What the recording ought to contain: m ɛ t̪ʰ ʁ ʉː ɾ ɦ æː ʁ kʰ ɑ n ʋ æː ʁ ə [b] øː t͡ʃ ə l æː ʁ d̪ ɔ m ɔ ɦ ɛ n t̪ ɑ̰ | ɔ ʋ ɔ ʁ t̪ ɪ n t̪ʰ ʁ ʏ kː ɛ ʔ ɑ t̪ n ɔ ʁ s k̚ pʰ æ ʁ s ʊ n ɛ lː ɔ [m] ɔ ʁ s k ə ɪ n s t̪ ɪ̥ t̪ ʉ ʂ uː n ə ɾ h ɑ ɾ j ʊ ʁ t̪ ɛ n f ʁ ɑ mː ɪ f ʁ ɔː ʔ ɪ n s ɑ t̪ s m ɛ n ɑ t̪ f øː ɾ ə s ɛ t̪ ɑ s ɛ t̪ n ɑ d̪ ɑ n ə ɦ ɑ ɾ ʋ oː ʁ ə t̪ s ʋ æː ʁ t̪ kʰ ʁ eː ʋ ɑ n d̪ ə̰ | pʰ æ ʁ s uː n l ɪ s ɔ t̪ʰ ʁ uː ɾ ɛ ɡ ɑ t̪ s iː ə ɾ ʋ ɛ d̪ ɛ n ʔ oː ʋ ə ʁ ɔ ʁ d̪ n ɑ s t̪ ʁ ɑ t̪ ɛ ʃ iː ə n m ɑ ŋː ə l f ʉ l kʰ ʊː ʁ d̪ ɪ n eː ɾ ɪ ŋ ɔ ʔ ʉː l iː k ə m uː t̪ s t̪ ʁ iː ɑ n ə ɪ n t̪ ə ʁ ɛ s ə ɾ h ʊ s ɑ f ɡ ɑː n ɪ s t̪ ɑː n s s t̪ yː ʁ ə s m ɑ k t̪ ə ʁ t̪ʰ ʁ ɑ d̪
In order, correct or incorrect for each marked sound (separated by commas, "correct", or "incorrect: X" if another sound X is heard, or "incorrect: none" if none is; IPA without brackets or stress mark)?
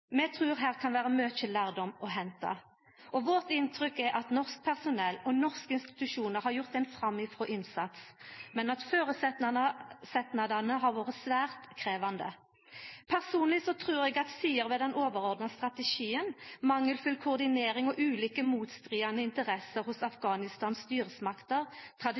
incorrect: m, incorrect: n